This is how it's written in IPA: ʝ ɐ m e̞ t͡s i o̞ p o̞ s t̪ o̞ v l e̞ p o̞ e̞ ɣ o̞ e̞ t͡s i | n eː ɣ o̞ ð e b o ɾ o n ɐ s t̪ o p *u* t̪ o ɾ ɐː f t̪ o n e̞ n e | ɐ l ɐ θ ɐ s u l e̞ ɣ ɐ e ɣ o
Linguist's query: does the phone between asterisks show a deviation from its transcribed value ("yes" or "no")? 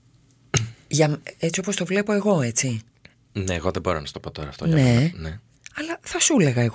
yes